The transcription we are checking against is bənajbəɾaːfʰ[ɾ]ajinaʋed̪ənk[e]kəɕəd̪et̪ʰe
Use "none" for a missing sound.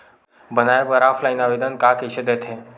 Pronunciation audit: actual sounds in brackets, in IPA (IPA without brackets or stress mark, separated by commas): l, a